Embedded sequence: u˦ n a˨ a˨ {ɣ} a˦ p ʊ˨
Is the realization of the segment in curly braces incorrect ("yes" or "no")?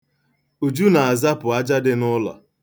yes